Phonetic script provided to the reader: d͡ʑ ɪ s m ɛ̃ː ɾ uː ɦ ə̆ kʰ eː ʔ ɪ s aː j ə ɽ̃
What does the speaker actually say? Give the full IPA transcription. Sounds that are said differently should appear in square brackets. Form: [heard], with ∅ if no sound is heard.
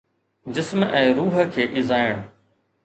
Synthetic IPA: d͡ʑ ɪ s m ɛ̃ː ɾ uː ɦ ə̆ kʰ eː ʔ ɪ [z] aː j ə ɽ̃